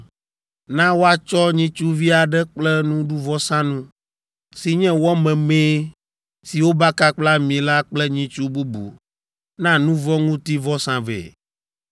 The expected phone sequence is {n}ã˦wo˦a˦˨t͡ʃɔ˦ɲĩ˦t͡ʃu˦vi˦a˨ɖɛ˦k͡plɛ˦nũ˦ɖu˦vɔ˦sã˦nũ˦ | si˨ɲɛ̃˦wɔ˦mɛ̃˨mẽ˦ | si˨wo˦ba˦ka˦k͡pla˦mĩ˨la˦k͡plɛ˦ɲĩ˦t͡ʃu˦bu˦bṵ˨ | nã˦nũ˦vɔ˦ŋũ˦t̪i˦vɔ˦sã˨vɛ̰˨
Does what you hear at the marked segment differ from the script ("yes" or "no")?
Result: no